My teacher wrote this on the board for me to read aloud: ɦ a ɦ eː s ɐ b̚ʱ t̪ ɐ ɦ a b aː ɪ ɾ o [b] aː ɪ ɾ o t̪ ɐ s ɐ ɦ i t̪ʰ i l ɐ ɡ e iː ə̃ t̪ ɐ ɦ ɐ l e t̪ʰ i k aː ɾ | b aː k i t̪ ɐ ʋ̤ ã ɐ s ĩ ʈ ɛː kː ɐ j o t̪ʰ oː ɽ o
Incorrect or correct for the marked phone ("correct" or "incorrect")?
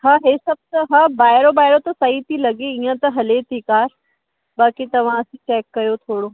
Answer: correct